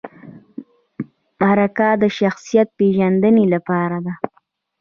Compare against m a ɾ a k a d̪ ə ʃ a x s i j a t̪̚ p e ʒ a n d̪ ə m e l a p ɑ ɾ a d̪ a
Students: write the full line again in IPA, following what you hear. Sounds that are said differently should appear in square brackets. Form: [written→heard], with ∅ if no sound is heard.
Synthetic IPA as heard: m a ɾ a k a d̪ ə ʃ a x s i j a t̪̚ p e ʒ a n d̪ ə [m→n] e l a p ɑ ɾ a d̪ a